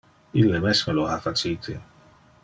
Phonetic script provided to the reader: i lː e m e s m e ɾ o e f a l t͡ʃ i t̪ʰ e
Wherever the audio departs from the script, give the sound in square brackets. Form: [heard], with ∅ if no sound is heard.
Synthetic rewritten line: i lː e m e s m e [l] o [a] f a [∅] t͡ʃ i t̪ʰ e